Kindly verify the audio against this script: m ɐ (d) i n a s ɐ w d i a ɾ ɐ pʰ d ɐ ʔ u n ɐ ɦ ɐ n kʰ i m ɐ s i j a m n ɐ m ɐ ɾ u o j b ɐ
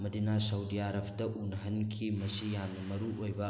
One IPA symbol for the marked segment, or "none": d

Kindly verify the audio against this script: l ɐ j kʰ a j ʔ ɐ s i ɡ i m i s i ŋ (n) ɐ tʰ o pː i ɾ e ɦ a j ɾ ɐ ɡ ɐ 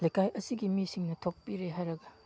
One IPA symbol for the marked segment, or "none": n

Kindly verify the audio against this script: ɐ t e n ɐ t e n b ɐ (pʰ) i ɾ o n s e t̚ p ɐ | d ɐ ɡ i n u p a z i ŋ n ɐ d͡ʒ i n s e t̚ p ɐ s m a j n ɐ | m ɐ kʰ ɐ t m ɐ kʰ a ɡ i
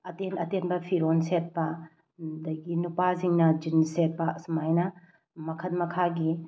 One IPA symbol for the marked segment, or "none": pʰ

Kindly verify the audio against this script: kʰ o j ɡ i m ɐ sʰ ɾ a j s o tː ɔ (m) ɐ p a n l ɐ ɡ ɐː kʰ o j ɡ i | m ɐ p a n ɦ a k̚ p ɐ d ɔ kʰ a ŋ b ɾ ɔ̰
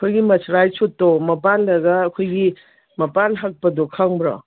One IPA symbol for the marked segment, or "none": m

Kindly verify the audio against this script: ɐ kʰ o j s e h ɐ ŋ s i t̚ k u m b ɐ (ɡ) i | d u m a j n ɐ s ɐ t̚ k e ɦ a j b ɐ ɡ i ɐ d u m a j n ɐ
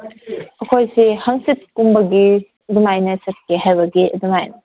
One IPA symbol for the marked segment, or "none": ɡ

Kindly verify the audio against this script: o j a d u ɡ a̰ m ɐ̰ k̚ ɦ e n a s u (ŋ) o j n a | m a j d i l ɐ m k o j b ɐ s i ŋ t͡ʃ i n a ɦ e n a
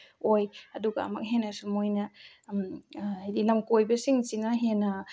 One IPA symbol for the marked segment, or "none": m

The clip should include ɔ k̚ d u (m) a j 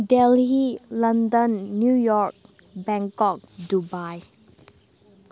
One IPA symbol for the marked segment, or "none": b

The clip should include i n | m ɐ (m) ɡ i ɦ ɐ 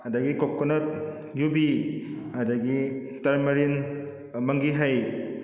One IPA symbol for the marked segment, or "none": ŋ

